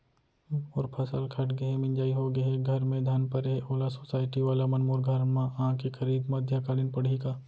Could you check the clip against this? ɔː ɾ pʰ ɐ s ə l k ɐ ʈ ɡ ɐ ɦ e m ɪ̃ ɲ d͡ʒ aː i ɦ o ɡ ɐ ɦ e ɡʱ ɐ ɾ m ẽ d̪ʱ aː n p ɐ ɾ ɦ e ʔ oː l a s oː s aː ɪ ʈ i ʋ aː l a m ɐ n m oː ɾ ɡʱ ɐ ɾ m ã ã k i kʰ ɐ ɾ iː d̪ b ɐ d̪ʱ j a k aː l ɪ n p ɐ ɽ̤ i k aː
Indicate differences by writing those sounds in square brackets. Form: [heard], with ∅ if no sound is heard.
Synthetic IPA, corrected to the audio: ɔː ɾ pʰ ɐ s ə l [kʰ] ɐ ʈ ɡ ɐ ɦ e m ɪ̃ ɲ d͡ʒ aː i ɦ o ɡ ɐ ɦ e ɡʱ ɐ ɾ m ẽ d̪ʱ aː n p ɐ ɾ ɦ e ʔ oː l a s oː s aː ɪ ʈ i ʋ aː l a m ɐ n m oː ɾ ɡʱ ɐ ɾ m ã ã k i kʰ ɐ ɾ iː d̪ [m] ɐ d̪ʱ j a k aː l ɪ n p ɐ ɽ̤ i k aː